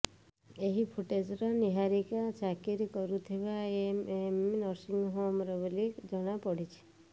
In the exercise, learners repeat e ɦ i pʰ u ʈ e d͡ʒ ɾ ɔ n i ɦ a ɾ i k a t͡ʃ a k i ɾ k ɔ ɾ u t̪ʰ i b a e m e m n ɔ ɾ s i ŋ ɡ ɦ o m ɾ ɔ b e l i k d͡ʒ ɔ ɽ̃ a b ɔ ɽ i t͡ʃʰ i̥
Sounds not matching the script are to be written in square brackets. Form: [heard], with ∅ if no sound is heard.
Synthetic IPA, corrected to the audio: e ɦ i pʰ u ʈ e d͡ʒ ɾ ɔ n i ɦ a ɾ i k a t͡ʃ a k i ɾ k ɔ ɾ u t̪ʰ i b a e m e m n ɔ ɾ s i ŋ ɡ ɦ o m ɾ ɔ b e l i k d͡ʒ ɔ ɽ̃ a [p] ɔ ɽ i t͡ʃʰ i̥

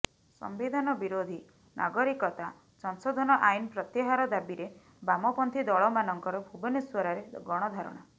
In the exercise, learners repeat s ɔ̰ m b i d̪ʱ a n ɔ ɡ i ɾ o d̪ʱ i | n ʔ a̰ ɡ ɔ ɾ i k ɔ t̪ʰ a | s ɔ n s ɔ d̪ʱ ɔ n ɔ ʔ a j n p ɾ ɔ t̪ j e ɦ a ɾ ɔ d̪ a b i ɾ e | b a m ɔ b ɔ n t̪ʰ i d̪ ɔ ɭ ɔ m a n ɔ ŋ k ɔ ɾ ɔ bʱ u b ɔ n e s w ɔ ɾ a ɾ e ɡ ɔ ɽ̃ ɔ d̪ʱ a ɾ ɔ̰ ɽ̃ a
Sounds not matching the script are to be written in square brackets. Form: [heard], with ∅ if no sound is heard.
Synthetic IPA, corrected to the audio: s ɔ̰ m b i d̪ʱ a n ɔ [b] i ɾ o d̪ʱ i | n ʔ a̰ ɡ ɔ ɾ i k ɔ [t̪] a | s ɔ n s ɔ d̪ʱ ɔ n ɔ ʔ a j n p ɾ ɔ t̪ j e ɦ a ɾ ɔ d̪ a b i ɾ e | b a m ɔ [p] ɔ n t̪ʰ i d̪ ɔ ɭ ɔ m a n ɔ ŋ k ɔ ɾ ɔ bʱ u b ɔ n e s w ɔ ɾ a ɾ e ɡ ɔ ɽ̃ ɔ d̪ʱ a ɾ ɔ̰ ɽ̃ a

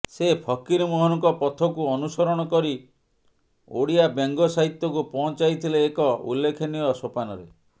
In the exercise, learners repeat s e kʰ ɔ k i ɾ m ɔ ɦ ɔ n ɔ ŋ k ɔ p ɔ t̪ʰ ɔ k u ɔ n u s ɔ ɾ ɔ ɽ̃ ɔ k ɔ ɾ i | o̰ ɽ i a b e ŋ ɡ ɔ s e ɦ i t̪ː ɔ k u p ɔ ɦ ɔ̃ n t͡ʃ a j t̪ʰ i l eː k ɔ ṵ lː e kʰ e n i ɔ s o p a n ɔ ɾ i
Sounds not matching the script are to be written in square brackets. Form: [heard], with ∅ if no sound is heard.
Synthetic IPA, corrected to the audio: s e [pʰ] ɔ k i ɾ m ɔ ɦ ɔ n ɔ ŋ k ɔ p ɔ t̪ʰ ɔ k u ɔ n u s ɔ ɾ ɔ ɽ̃ ɔ k ɔ ɾ i | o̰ ɽ i a b e ŋ ɡ ɔ s [a] ɦ i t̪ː ɔ k u p ɔ ɦ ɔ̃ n t͡ʃ a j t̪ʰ i l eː k ɔ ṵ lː e kʰ e n i ɔ s o p a n ɔ ɾ [e]

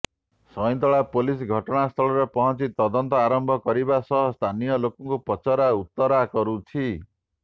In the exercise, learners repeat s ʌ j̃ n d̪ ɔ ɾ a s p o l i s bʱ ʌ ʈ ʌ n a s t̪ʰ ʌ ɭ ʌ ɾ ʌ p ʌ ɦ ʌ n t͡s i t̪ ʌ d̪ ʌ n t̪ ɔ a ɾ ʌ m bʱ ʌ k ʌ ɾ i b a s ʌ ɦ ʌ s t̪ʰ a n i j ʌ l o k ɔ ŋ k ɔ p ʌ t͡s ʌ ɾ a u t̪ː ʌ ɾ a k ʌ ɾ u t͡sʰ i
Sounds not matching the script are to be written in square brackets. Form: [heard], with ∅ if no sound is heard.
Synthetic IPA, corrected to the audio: s ʌ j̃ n [t̪] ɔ [ɭ] a [∅] p o l i s [ɡʱ] ʌ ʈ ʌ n a s t̪ʰ ʌ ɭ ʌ ɾ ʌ p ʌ ɦ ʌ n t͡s i t̪ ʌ d̪ ʌ n t̪ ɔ a ɾ ʌ m bʱ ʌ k ʌ ɾ i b a s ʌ ɦ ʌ s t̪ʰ a n i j ʌ l o k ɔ ŋ k [o] p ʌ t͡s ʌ ɾ a u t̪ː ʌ ɾ a k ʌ ɾ u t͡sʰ i

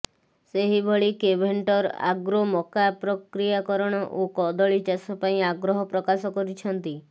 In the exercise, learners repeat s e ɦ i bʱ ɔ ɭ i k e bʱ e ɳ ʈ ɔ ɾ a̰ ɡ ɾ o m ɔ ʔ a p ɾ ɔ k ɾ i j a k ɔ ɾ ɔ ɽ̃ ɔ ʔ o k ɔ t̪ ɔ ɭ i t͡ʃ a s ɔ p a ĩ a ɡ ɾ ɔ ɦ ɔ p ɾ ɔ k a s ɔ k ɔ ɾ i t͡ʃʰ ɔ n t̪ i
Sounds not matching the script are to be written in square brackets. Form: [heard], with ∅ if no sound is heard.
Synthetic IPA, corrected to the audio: s e ɦ i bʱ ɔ ɭ i k e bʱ e ɳ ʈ ɔ ɾ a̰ ɡ ɾ o m ɔ [k] a p ɾ ɔ k ɾ i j a k ɔ ɾ ɔ ɽ̃ ɔ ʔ o k ɔ [d̪] ɔ ɭ i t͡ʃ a s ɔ p a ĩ a ɡ ɾ ɔ ɦ ɔ p ɾ ɔ k a s ɔ k ɔ ɾ i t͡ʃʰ ɔ n t̪ i

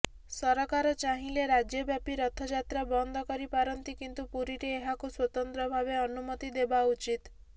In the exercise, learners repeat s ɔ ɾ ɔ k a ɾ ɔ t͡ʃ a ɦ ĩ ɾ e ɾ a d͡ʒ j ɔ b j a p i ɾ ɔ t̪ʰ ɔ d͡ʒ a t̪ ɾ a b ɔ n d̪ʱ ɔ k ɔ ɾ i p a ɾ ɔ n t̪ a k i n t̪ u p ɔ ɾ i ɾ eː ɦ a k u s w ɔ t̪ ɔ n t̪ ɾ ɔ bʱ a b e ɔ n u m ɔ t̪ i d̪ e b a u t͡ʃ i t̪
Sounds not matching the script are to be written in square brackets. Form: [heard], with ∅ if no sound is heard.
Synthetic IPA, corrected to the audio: s ɔ ɾ ɔ k a ɾ ɔ t͡ʃ a ɦ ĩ [l] e ɾ a d͡ʒ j ɔ b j a p i ɾ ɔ t̪ʰ ɔ d͡ʒ a t̪ ɾ a b ɔ n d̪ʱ ɔ k ɔ ɾ i p a ɾ ɔ n t̪ [i] k i n t̪ u p [u] ɾ i ɾ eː ɦ a k u s w ɔ t̪ ɔ n t̪ ɾ ɔ bʱ a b e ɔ n u m ɔ t̪ i d̪ e b a u t͡ʃ i t̪

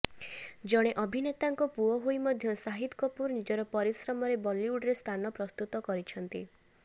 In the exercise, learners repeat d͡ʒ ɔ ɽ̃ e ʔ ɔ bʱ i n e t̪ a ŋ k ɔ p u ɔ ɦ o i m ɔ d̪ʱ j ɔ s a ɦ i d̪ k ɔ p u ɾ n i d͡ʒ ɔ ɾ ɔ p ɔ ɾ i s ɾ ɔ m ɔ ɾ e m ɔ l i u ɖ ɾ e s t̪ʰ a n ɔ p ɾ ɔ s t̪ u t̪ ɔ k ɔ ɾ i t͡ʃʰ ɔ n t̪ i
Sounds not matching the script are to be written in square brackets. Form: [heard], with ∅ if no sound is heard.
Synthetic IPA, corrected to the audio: d͡ʒ ɔ ɽ̃ e ʔ ɔ bʱ i n e t̪ a ŋ k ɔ p u ɔ ɦ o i m ɔ d̪ʱ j ɔ s a ɦ i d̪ k ɔ p u ɾ n i d͡ʒ ɔ ɾ ɔ p ɔ ɾ i s ɾ ɔ m ɔ ɾ e [b] ɔ l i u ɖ ɾ e s t̪ʰ a n ɔ p ɾ ɔ s t̪ u t̪ ɔ k ɔ ɾ i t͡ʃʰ ɔ n t̪ i

